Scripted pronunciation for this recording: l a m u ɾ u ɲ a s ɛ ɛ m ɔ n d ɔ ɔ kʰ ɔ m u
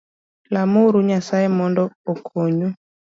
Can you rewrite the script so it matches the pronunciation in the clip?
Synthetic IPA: l a m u ɾ u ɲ a s a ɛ m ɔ n d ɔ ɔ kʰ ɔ ɲ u